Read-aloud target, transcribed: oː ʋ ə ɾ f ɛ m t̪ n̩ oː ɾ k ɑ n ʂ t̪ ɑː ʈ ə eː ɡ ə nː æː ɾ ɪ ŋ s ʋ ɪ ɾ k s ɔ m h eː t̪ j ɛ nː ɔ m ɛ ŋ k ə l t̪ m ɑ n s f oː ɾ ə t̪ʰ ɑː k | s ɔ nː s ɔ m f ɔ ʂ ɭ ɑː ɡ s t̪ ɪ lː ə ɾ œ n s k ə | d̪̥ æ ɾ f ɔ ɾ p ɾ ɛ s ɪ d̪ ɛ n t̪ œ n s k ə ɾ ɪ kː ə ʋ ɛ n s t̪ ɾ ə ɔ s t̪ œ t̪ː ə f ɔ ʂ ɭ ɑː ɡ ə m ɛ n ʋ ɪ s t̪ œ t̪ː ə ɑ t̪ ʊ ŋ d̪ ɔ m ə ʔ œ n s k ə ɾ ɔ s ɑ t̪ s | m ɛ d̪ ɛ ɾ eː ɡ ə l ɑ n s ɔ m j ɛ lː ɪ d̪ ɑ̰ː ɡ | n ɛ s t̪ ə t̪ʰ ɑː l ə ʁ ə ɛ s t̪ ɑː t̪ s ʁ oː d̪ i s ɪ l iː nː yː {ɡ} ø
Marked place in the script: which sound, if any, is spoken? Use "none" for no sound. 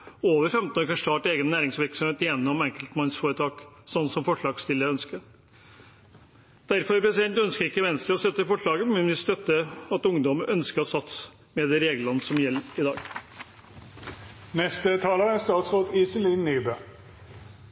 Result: b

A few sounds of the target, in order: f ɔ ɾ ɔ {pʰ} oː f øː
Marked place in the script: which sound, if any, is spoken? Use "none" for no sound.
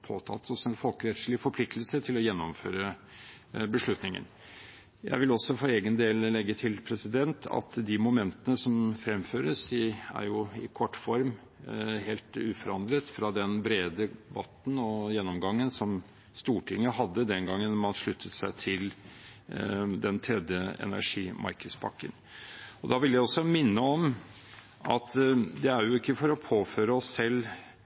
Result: pʰ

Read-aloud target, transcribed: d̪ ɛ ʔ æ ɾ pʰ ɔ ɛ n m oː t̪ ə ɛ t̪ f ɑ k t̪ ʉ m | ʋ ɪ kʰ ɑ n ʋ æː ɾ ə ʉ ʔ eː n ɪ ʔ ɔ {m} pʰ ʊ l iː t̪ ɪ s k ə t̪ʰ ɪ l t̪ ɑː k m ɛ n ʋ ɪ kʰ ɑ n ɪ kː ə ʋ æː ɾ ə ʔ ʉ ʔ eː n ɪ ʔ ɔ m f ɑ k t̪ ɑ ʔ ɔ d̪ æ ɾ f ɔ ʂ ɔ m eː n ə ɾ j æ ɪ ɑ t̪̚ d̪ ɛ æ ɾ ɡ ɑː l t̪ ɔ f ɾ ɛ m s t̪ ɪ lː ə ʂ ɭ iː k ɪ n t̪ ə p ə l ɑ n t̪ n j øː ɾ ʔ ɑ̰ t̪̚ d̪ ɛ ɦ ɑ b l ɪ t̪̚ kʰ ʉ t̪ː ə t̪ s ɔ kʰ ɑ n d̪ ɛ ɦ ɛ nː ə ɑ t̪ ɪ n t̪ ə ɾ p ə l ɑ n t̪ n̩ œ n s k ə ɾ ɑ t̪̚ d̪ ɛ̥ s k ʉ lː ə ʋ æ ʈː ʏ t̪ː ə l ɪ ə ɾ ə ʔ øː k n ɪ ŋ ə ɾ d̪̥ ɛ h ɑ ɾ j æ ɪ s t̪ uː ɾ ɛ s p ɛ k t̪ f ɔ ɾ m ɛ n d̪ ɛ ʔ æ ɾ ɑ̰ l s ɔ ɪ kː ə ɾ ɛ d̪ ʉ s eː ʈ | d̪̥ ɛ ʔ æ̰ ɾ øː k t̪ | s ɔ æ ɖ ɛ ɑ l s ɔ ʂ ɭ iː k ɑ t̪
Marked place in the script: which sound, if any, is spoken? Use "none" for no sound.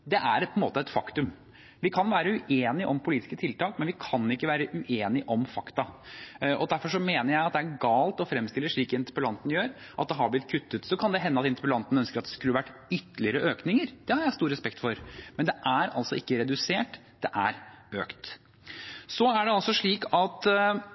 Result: m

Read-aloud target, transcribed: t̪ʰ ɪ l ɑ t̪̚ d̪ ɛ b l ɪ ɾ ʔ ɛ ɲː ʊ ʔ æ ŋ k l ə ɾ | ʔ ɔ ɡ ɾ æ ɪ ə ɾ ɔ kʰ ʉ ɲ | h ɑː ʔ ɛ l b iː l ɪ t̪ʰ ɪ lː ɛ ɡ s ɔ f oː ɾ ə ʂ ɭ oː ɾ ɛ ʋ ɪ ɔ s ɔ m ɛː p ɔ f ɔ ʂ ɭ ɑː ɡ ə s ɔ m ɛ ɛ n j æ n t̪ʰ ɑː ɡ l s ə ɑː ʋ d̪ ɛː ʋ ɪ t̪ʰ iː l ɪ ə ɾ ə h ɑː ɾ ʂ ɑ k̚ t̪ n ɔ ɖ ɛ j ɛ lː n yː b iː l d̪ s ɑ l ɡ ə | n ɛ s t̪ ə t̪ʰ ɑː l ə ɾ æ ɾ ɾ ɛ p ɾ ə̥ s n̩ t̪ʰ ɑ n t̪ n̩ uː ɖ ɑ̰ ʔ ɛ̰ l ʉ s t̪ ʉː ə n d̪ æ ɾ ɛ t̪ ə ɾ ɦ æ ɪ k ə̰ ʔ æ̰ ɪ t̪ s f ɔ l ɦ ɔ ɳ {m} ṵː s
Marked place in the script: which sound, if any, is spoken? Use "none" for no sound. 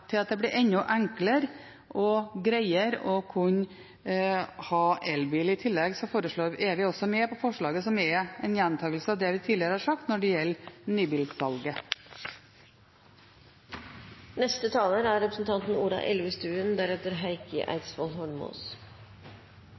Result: m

